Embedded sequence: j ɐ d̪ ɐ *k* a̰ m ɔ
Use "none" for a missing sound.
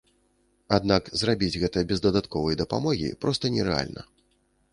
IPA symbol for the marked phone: p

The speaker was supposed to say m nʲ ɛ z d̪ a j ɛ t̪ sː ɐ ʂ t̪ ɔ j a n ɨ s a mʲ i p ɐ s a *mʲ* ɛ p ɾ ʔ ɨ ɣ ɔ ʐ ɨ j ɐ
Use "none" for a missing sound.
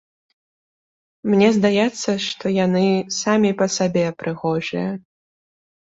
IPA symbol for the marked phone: bʲ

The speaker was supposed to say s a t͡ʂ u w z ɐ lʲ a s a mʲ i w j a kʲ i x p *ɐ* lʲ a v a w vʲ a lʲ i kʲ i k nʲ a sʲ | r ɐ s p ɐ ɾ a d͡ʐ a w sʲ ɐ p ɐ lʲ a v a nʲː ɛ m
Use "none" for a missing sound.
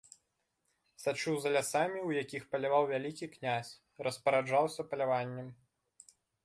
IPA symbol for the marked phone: ɐ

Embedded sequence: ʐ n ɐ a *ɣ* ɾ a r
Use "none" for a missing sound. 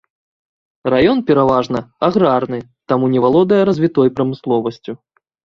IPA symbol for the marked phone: ɣ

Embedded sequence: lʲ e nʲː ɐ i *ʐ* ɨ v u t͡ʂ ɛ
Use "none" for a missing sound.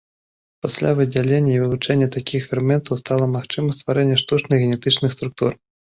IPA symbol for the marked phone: v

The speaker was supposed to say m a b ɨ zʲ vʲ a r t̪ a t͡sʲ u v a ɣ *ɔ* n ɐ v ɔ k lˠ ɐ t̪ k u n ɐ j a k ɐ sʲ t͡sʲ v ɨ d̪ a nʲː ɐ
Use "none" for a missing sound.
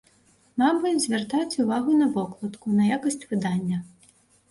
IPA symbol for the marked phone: u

